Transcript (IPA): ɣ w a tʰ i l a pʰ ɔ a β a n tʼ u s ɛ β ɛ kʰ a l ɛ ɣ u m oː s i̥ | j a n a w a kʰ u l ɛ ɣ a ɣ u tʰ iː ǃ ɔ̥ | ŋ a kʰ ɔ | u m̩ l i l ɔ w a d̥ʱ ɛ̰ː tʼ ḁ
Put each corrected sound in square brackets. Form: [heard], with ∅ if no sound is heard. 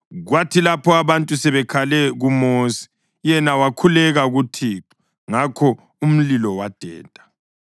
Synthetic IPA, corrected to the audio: ɣ w a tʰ i l a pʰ ɔ a β a n tʼ u s ɛ β ɛ kʰ a l ɛ ɣ u m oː s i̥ | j [ɛ] n a w a kʰ u l ɛ ɣ a ɣ u tʰ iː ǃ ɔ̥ | ŋ a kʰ ɔ | u m̩ l i l ɔ w a d̥ʱ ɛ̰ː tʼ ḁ